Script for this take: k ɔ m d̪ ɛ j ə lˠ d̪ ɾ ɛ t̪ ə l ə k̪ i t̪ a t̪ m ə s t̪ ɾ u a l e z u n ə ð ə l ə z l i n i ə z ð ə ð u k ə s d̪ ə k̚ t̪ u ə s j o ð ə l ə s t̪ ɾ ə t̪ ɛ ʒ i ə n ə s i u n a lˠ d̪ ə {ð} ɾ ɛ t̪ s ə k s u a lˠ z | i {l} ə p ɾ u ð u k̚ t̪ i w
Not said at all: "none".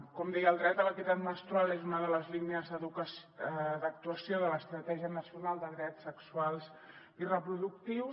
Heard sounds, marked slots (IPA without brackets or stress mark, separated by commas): ð, r